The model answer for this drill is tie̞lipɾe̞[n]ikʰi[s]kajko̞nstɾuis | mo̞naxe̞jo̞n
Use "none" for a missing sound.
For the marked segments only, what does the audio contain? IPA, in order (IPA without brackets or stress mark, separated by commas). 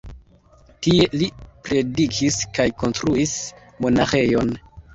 d, s